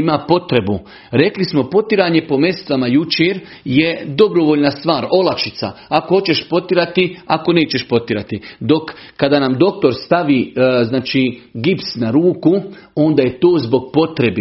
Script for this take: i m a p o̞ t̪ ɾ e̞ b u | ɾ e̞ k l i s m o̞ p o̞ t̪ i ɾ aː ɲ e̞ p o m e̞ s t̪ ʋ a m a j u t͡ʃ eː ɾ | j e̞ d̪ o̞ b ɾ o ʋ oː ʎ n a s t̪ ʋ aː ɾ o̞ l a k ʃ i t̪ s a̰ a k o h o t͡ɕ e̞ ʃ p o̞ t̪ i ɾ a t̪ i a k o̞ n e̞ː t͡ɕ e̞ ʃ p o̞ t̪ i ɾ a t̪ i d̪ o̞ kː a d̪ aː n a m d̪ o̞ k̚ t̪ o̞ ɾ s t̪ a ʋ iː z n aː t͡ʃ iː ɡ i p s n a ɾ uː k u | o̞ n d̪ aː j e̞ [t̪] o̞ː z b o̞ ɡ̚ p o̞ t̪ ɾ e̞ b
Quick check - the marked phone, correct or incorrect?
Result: correct